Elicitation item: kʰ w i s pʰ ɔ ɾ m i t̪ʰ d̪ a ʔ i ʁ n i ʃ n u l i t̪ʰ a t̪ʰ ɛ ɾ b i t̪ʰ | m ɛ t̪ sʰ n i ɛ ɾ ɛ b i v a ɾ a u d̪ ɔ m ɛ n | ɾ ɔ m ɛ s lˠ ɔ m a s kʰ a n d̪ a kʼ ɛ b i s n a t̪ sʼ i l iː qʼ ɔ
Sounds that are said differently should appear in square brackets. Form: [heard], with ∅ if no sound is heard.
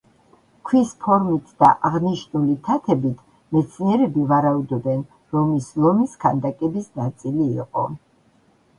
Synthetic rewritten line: kʰ w i s pʰ ɔ ɾ m i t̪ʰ d̪ a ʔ [a] ʁ n i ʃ n u l i t̪ʰ a t̪ʰ ɛ [∅] b i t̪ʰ | m ɛ t̪ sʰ n i ɛ ɾ ɛ b i v a ɾ a u d̪ ɔ [b] ɛ n | ɾ ɔ m [i] s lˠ ɔ m [i] s kʰ a n d̪ a kʼ ɛ b i s n a t̪ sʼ i l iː qʼ ɔ